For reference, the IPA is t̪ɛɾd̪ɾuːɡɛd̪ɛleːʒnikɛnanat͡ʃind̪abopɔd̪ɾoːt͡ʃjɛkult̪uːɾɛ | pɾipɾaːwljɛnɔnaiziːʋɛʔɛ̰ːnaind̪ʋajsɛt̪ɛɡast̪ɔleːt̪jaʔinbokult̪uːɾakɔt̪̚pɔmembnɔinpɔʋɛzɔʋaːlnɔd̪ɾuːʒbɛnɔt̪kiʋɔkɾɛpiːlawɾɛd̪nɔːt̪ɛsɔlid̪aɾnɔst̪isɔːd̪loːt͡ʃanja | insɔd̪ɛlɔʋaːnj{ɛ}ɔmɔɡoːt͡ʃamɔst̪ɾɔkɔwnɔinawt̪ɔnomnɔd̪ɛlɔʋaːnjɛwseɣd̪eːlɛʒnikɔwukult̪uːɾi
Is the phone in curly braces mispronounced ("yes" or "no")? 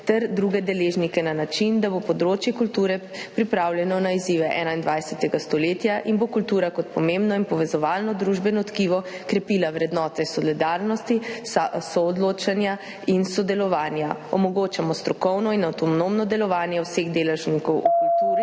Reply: yes